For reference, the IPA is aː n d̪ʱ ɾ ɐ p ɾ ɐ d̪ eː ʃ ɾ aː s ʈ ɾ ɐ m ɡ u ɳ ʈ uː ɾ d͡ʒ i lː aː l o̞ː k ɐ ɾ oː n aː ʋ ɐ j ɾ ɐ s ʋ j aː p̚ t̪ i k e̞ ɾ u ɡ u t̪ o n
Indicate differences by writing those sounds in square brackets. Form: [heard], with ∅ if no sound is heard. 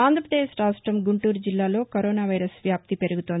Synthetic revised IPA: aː n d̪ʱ ɾ ɐ p ɾ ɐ d̪ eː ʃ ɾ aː s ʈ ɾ ɐ m ɡ u ɳ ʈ uː ɾ d͡ʒ i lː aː l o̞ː k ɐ ɾ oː n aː ʋ ɐ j ɾ ɐ s ʋ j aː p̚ t̪ i [p] e̞ ɾ u ɡ u t̪ o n